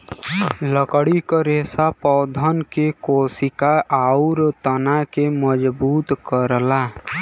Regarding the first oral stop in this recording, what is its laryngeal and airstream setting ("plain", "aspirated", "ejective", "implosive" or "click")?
plain